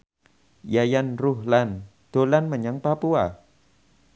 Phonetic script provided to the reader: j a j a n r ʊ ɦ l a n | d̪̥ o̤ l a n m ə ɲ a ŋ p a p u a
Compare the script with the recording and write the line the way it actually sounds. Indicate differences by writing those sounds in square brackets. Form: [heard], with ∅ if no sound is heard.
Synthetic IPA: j a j a n r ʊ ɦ l a n | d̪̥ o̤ l a n m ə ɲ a ŋ p a p u a